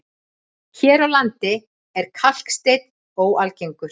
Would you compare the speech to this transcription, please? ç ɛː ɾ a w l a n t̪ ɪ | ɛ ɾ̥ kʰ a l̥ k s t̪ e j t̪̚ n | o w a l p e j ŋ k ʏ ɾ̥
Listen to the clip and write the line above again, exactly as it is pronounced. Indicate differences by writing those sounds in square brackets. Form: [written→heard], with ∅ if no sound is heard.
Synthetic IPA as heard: ç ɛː ɾ a w l a n t̪ ɪ | ɛ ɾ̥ kʰ a l̥ k s t̪ e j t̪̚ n | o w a l [p→c] e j ŋ k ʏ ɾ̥